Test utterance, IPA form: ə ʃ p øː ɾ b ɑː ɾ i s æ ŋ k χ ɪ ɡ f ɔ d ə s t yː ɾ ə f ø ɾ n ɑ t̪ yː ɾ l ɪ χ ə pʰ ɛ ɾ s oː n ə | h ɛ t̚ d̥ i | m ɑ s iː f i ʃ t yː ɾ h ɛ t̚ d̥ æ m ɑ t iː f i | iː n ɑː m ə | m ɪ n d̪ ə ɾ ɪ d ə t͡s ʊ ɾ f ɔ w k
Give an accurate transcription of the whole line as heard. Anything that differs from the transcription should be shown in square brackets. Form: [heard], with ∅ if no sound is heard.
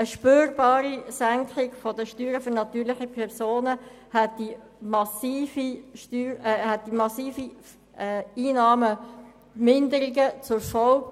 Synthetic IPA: ə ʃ p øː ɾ b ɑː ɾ i s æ ŋ k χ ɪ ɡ f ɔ d ə [ʃ] t yː ɾ ə f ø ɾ n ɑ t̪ yː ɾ l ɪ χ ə pʰ ɛ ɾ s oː n ə | h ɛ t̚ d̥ i | m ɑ s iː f i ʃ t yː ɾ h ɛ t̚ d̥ [i] m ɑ [s] iː f i | iː n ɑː m ə | m ɪ n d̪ ə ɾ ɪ [ɡ] ə t͡s ʊ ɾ f ɔ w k

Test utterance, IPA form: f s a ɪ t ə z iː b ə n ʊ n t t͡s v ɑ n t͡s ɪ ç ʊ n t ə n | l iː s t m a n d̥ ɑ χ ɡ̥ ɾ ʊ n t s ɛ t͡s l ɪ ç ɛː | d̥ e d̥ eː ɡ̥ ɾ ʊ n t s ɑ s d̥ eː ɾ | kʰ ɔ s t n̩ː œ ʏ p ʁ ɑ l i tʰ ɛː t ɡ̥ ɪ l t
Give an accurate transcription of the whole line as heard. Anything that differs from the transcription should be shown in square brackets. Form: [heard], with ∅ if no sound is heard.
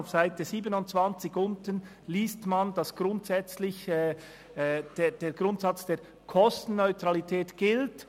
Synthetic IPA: f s a ɪ t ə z iː b ə n ʊ n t t͡s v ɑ n t͡s ɪ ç ʊ n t ə n | l iː s t m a n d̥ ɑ [s] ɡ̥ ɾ ʊ n t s ɛ t͡s l ɪ ç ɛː | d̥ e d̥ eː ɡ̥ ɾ ʊ n t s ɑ [t͡s] d̥ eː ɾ | kʰ ɔ s t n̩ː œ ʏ [t] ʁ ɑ l i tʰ ɛː t ɡ̥ ɪ l t

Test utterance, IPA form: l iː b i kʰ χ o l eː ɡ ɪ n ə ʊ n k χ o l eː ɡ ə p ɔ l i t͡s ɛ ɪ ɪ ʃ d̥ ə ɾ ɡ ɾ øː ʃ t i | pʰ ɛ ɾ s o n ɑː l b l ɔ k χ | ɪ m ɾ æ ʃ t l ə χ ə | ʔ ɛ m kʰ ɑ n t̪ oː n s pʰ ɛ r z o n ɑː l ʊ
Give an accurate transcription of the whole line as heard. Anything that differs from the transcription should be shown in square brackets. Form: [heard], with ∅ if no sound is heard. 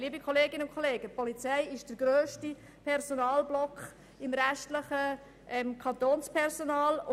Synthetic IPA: l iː b i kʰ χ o l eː ɡ ɪ n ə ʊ n k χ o l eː ɡ ə p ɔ l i t͡s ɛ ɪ ɪ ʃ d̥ ə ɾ ɡ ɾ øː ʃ t i | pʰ ɛ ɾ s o n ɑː l b l ɔ k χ | ɪ m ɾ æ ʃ t l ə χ ə | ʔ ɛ m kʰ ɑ n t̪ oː n s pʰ ɛ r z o n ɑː l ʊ

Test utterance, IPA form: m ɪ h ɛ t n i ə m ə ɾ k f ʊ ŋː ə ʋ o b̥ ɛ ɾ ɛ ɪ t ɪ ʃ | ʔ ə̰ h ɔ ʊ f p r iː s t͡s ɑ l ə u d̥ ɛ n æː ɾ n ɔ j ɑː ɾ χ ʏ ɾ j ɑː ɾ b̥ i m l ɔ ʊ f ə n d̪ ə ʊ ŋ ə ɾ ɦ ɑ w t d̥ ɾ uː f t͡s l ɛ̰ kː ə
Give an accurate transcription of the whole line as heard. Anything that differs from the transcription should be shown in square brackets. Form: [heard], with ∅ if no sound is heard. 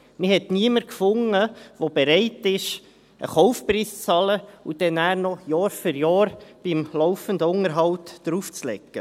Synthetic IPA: m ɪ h ɛ t n i ə m ə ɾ k f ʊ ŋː ə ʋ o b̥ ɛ ɾ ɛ ɪ t ɪ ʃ | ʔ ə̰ [χ] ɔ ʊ f p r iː s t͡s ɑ l ə u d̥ ɛ n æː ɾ n ɔ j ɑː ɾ [f] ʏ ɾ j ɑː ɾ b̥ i m l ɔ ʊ f ə n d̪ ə ʊ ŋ ə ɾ ɦ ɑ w t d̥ ɾ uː f t͡s l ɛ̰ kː ə

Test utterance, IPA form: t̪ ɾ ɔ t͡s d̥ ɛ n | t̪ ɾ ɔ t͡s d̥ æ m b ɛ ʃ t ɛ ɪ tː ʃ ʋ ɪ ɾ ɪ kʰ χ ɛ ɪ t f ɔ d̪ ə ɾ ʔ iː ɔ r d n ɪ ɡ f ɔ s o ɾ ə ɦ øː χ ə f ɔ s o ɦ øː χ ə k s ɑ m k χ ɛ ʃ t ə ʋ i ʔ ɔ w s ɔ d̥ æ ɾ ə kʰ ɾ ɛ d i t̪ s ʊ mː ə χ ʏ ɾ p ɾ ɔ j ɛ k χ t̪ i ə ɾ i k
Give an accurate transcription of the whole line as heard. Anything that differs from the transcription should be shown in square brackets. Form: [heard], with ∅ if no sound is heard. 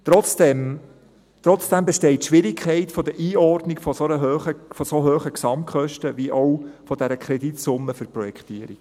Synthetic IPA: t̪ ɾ ɔ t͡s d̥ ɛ [m] | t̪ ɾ ɔ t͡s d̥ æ m b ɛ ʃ t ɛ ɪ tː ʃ ʋ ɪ ɾ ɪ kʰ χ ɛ ɪ t f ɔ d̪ ə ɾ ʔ iː ɔ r d n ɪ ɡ f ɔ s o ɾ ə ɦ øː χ ə f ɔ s o ɦ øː χ ə k s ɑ m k χ [œ] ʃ t ə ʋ i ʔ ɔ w [f] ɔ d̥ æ ɾ ə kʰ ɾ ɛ d i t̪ s ʊ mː ə [f] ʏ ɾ p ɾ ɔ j ɛ k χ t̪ i ə ɾ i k

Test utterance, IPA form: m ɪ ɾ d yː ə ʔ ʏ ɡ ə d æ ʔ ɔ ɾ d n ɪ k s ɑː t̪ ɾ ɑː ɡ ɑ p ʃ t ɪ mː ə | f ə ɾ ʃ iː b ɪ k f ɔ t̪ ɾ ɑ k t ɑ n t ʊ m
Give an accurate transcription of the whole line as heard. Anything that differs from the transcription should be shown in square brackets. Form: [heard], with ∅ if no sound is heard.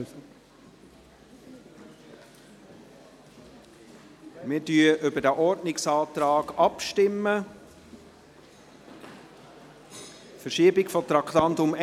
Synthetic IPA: m ɪ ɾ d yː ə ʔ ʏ [b] ə d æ ʔ ɔ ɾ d n ɪ k s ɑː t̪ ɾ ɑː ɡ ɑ p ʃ t ɪ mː ə | f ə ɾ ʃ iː b ɪ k f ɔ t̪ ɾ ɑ k t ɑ n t ʊ m

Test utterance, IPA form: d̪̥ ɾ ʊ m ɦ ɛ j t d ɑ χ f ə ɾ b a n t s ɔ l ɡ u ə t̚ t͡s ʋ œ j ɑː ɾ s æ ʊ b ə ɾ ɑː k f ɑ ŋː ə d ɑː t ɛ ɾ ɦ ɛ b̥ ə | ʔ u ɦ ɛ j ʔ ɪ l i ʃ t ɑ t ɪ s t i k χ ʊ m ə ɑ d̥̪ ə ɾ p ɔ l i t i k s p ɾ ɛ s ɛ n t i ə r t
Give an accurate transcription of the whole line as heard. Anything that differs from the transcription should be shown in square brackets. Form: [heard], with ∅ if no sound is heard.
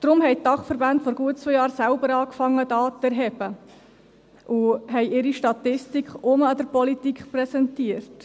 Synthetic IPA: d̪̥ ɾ ʊ m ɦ ɛ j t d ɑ χ f ə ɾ b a n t [f] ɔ [ɾ] ɡ u ə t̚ t͡s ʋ œ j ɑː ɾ s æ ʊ b ə ɾ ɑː k f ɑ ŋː ə d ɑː t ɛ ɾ ɦ ɛ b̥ ə | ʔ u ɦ ɛ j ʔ ɪ [ɾ] i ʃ t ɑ t ɪ s t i k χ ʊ m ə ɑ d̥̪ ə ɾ p ɔ l i t i k [χ] p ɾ ɛ s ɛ n t i ə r t

